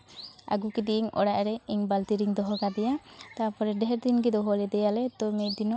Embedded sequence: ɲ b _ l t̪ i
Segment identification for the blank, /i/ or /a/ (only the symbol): a